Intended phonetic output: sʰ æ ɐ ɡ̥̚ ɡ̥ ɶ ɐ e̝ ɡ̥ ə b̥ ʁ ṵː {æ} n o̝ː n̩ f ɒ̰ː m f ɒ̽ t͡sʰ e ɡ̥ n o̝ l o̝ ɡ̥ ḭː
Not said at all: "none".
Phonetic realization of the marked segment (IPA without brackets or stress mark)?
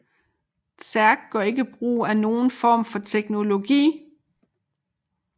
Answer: æ